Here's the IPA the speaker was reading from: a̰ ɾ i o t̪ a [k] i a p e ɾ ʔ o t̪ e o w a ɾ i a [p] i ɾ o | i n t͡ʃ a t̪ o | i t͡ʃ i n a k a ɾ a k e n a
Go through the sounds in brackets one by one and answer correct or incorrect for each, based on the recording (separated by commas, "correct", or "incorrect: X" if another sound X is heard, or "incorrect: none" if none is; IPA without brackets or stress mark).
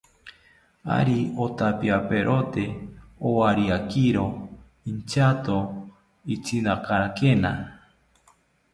incorrect: p, incorrect: k